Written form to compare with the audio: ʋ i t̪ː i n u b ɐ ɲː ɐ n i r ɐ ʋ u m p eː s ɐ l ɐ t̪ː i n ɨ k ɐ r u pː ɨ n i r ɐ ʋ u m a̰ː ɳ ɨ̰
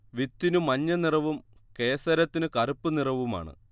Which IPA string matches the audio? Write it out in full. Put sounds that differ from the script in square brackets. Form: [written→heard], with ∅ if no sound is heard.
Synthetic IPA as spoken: ʋ i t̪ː i n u [b→m] ɐ ɲː ɐ n i r ɐ ʋ u m [p→k] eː s ɐ [l→ɾ] ɐ t̪ː i n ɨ k ɐ r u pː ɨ n i r ɐ ʋ u m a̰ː ɳ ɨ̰